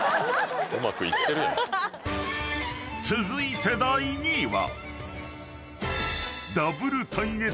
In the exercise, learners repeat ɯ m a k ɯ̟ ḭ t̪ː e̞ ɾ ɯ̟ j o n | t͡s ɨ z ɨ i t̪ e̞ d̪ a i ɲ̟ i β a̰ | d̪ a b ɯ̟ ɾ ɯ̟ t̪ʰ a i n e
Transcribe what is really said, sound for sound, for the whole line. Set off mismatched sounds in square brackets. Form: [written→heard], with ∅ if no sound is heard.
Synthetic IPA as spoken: ɯ m a k ɯ̟ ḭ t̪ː e̞ ɾ ɯ̟ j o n | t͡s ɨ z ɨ i t̪ e̞ d̪ a i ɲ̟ i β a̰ | d̪ a b ɯ̟ ɾ ɯ̟ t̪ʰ a i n e